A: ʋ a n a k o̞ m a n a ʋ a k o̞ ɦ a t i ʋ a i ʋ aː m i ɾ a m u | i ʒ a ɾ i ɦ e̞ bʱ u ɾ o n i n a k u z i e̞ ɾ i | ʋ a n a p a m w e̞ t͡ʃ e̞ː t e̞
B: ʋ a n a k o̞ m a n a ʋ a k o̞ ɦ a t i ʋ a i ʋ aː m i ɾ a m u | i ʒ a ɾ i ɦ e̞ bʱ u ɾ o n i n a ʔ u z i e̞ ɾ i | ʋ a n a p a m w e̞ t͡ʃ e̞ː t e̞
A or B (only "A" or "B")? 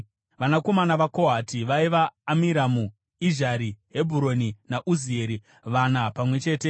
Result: B